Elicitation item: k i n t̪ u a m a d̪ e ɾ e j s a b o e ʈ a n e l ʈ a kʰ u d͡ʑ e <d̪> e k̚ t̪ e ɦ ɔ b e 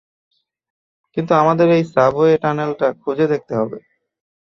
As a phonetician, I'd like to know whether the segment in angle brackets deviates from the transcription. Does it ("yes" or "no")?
no